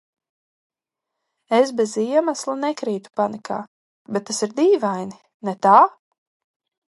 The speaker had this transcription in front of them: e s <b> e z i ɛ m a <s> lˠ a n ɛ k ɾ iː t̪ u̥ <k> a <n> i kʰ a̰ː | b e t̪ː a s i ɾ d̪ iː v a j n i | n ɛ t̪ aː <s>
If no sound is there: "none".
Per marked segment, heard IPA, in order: b, s, p, n, none

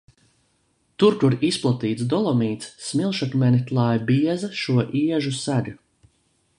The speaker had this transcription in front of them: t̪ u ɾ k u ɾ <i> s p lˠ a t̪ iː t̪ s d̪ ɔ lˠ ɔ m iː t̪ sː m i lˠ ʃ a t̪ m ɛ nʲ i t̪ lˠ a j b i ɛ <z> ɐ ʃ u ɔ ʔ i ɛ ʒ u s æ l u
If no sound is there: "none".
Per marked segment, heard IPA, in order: i, z

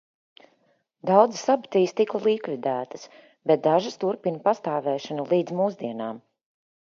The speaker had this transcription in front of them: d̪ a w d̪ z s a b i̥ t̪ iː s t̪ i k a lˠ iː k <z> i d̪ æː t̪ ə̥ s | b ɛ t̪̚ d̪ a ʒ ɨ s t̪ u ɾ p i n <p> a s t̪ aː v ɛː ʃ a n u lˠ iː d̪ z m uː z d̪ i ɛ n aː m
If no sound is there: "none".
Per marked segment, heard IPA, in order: v, p

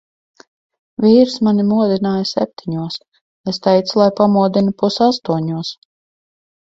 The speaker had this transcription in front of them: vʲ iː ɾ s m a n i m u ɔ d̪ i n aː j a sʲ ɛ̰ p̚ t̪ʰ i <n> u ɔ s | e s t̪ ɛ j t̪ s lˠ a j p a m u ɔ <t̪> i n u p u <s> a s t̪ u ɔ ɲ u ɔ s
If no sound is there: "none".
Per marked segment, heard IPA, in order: ɲ, d̪, s

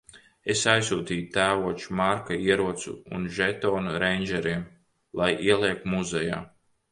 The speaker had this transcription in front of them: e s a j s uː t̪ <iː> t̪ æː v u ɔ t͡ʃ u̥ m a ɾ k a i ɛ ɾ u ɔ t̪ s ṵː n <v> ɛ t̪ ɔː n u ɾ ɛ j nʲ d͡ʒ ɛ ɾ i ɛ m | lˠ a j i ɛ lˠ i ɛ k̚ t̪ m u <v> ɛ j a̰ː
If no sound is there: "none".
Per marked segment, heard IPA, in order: iː, ʒ, z

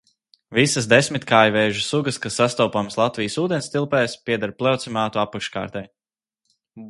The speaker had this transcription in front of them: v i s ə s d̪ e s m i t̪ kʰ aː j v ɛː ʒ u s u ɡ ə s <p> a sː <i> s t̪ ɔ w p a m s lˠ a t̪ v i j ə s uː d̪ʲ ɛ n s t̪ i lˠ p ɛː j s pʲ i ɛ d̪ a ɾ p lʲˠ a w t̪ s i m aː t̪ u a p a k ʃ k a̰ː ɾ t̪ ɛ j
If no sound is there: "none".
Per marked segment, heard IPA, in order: k, a

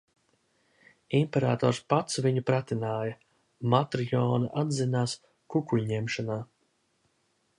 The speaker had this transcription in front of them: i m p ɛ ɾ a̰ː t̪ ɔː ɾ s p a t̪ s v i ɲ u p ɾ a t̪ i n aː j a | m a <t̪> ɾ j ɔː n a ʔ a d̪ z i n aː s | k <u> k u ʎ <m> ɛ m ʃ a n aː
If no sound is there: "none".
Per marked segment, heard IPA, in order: t̪, u, ɲ

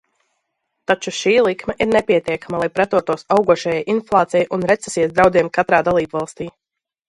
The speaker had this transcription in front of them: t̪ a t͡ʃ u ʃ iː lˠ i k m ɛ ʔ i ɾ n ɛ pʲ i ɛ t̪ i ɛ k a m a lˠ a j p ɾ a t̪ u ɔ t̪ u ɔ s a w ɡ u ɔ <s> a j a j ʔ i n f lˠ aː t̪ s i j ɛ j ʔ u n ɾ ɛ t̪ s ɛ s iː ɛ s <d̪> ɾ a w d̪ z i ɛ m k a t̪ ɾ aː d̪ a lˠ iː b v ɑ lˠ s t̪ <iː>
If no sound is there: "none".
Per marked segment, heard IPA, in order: ʃ, d̪, iː

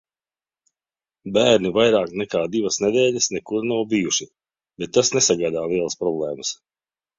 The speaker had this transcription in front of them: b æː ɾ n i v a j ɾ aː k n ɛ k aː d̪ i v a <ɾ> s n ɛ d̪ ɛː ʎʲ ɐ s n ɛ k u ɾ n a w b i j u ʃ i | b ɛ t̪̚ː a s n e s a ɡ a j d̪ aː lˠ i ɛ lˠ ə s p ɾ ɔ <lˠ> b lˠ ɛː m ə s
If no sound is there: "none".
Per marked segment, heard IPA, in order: none, none

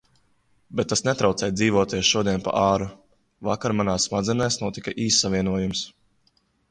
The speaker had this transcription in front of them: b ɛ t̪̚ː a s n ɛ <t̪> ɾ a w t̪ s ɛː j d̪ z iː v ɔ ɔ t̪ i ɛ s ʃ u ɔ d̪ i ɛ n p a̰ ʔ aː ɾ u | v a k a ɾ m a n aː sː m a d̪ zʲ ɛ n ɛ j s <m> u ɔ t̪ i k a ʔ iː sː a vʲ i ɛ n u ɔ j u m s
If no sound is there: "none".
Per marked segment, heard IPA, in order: t̪, n

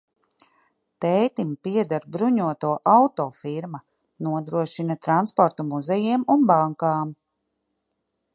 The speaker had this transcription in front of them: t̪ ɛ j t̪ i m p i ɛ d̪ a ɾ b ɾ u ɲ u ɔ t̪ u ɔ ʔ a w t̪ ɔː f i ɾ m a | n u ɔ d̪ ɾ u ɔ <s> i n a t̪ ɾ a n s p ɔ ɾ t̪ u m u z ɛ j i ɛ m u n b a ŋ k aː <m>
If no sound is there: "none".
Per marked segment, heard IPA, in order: ʃ, m

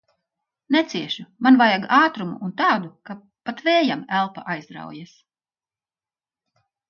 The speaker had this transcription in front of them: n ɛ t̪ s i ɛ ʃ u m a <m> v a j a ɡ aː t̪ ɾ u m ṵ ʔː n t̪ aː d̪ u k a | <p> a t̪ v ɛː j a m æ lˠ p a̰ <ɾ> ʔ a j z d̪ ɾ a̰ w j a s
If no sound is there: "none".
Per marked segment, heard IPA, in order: n, p, none

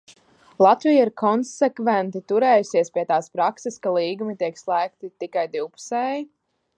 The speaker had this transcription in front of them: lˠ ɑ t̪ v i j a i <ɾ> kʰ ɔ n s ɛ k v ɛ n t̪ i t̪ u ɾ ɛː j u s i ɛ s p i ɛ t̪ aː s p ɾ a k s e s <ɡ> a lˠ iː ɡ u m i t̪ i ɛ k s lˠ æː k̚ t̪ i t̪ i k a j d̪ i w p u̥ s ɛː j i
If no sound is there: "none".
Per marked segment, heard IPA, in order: ɾ, k

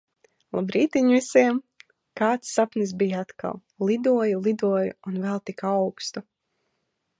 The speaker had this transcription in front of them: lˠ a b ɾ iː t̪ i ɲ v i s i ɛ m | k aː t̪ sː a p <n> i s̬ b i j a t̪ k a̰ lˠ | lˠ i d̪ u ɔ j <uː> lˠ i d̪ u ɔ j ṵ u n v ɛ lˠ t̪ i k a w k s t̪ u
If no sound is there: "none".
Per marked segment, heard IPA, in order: n, u

